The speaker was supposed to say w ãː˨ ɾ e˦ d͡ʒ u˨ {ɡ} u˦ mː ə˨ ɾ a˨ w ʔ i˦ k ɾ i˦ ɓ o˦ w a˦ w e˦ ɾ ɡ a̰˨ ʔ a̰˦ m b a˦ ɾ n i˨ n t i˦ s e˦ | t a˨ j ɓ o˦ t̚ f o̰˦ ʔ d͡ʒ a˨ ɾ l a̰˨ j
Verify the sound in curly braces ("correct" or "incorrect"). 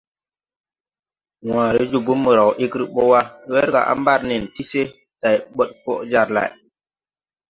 incorrect